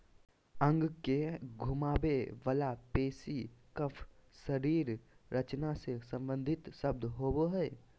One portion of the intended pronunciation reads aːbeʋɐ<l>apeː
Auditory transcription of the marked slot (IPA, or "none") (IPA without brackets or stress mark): l